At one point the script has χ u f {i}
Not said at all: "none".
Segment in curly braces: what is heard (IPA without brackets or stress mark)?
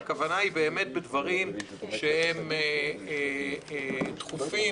i